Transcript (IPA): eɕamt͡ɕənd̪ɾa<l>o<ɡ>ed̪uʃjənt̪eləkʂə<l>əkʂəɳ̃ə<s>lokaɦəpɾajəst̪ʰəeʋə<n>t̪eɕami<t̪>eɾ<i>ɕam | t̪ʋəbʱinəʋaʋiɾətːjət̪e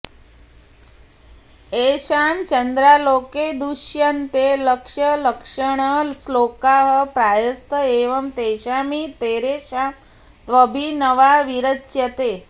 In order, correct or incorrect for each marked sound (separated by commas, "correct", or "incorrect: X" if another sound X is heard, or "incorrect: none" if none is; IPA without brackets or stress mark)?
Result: correct, incorrect: k, correct, correct, incorrect: m, correct, incorrect: e